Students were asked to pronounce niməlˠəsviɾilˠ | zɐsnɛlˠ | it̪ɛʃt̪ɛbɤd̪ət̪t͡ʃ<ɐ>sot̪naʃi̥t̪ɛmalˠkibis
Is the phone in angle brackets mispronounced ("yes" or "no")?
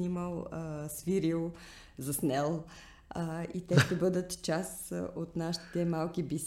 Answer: yes